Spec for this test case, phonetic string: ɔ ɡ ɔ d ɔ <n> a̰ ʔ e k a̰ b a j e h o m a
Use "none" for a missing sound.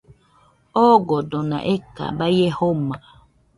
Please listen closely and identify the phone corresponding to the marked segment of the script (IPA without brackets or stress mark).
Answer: n